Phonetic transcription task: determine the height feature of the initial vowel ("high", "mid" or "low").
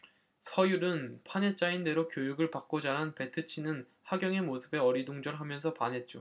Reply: mid